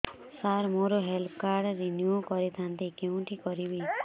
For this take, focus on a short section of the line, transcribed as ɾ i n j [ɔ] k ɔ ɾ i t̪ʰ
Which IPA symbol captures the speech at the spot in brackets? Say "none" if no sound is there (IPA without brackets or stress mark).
u